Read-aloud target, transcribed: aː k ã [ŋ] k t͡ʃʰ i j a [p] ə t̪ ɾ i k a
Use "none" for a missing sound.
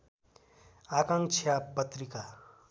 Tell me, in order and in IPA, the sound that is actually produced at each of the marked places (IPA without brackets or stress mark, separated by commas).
ŋ, p